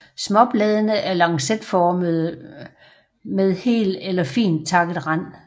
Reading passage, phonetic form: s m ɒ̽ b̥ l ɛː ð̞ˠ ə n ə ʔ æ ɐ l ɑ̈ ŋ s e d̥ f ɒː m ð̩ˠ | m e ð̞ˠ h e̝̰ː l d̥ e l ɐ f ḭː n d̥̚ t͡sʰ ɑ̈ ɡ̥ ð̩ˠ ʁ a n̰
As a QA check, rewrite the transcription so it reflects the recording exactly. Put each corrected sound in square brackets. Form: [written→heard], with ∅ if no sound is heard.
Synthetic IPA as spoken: s m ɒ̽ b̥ l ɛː ð̞ˠ ə n ə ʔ æ ɐ l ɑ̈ ŋ s e d̥ f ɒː m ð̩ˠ | m e ð̞ˠ h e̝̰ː l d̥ e l ɐ f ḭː n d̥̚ t͡sʰ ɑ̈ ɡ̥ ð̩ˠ ʁ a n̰